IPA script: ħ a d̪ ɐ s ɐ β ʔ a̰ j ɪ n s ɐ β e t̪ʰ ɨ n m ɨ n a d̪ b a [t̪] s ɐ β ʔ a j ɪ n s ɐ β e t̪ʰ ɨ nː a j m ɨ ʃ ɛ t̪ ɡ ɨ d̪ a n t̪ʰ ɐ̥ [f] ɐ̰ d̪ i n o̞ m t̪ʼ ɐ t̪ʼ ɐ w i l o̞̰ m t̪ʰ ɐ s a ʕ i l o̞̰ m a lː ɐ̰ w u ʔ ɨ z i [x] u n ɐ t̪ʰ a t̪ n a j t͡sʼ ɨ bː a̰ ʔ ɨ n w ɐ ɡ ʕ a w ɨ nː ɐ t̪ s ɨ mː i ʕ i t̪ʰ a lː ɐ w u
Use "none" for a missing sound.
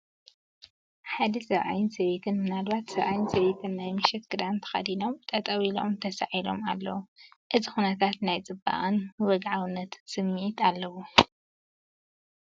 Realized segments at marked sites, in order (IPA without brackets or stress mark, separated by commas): t̪, x, x